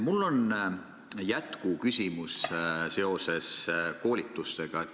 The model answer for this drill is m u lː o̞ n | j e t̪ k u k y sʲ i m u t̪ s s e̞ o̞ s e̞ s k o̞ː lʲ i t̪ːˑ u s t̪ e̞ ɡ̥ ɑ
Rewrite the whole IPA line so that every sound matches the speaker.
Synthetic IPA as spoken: m u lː o̞ n | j æ t̪ k u k y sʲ i m u s s e̞ o̞ s e̞ s k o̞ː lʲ i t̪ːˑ u s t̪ e̞ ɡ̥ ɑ